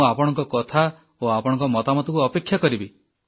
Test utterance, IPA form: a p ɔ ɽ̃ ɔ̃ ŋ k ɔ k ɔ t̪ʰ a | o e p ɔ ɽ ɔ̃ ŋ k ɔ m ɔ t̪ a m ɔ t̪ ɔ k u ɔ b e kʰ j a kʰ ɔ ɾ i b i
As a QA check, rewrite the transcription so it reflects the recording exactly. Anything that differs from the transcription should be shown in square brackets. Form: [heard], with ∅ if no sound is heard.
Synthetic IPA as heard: a p ɔ ɽ̃ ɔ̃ ŋ k ɔ k ɔ t̪ʰ a | o [a] p ɔ ɽ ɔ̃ ŋ k ɔ m ɔ t̪ a m ɔ t̪ ɔ k u ɔ [p] e kʰ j a [k] ɔ ɾ i b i